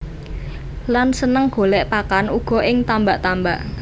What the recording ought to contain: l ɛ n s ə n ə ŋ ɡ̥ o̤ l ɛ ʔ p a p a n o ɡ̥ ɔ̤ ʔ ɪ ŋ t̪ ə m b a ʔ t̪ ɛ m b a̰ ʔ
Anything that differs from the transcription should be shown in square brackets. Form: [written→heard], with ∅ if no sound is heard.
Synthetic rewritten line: l [ɛ→a] n s ə n ə ŋ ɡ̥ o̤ l ɛ ʔ p a [p→k] a n [o→u] ɡ̥ ɔ̤ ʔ ɪ ŋ t̪ [ə→a] m b a ʔ t̪ [ɛ→a] m b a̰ ʔ